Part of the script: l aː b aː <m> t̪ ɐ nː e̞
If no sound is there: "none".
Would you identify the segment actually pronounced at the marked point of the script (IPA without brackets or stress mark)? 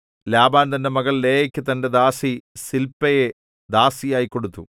n